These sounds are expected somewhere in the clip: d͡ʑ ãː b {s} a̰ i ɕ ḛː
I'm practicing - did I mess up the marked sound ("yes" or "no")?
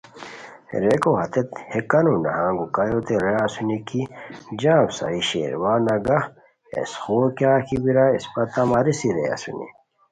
no